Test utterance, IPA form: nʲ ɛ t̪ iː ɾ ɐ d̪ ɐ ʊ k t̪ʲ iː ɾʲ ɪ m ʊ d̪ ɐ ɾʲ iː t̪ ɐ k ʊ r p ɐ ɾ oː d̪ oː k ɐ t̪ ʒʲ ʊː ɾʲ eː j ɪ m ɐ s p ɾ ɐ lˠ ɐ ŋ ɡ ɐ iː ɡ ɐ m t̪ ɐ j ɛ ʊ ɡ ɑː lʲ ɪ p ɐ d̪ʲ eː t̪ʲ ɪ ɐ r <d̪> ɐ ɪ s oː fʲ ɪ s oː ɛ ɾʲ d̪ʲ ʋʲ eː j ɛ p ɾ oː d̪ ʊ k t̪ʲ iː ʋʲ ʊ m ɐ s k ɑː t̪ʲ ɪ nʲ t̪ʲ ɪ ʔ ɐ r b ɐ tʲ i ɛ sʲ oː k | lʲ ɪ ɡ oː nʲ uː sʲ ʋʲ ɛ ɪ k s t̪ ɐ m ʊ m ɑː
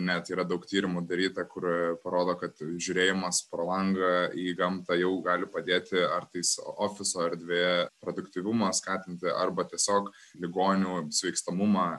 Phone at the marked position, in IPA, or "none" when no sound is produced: t̪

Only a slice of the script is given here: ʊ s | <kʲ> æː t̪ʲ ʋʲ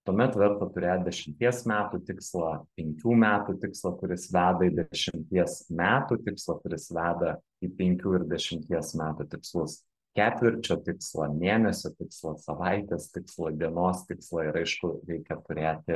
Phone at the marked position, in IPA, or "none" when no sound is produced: kʲ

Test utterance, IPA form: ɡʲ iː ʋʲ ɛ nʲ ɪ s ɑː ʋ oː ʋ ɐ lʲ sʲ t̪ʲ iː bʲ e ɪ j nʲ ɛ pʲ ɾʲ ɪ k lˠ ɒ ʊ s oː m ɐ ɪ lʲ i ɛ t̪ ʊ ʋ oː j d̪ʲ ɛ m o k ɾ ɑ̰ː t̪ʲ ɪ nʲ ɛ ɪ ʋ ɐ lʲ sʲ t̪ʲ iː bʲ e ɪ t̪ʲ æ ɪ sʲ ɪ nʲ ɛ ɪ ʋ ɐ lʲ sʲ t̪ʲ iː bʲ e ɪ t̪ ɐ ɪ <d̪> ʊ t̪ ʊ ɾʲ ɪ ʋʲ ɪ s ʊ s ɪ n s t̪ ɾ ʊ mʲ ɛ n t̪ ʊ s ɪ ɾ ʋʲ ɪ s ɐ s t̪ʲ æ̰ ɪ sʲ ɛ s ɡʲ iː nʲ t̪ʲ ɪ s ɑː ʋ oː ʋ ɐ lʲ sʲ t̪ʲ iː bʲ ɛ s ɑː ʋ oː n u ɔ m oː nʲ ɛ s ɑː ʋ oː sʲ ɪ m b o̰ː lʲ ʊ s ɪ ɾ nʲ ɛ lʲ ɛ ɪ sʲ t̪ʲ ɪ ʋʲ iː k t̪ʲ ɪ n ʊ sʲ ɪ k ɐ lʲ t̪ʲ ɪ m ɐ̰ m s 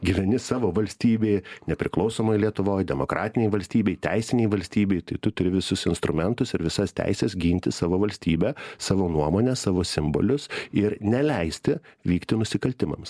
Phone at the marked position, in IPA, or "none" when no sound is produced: t̪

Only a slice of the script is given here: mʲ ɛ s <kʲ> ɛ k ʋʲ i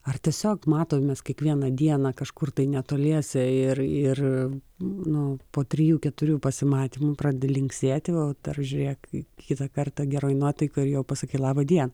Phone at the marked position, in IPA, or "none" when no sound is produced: kʲ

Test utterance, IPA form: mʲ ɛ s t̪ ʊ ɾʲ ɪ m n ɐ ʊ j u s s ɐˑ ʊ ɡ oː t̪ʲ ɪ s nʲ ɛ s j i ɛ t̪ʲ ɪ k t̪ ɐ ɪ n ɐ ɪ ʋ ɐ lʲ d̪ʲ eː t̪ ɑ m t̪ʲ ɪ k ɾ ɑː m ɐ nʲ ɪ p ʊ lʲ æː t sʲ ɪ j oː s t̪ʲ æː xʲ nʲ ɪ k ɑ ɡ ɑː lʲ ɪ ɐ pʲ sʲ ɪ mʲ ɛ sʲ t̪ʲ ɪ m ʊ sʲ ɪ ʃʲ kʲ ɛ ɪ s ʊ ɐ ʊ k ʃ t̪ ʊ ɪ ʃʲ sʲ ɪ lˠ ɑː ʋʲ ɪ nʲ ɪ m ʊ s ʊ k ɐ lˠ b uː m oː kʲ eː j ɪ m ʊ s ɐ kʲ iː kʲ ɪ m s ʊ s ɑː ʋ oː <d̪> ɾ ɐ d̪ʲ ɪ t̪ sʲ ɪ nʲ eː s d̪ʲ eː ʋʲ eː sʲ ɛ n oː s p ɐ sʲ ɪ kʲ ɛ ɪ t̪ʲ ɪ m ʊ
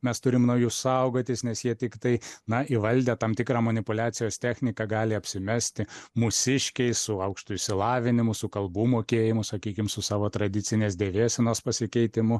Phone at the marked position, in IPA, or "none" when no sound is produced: t̪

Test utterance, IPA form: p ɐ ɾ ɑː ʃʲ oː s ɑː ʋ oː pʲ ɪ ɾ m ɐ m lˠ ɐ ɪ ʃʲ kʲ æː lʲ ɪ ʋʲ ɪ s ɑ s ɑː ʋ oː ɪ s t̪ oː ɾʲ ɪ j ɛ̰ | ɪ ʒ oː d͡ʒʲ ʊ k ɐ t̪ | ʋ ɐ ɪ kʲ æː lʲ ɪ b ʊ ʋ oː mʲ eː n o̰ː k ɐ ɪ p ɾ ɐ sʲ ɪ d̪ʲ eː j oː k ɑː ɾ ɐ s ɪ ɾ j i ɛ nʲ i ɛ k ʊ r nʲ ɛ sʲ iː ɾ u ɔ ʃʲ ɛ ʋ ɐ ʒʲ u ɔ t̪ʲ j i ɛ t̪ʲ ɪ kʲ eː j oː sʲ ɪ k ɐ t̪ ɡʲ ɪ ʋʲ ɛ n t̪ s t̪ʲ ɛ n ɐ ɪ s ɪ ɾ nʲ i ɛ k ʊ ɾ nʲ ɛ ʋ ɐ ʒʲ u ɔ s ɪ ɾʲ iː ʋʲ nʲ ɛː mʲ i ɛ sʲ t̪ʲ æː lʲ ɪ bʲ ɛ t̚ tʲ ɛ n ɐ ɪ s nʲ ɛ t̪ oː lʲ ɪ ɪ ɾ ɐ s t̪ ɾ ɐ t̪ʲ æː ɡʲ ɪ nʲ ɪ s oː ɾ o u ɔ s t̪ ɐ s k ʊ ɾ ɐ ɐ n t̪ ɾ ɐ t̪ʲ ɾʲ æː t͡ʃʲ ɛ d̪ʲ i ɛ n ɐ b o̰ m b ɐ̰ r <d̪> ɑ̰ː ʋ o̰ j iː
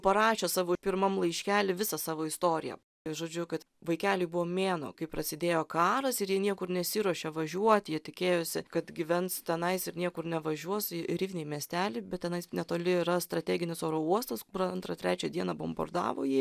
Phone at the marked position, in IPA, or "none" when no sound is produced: d̪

